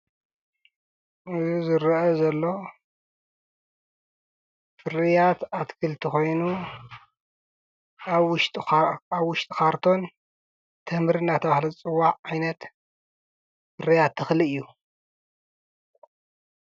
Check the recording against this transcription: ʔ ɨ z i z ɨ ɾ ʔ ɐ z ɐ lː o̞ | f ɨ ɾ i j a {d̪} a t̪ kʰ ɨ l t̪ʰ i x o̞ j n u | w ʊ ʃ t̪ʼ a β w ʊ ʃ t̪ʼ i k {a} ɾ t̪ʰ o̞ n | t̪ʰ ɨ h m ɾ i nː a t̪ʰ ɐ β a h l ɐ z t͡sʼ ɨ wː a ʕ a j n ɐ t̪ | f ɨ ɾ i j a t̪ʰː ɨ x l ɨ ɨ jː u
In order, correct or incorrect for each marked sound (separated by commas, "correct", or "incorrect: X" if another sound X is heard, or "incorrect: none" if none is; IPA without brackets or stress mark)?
incorrect: t̪, correct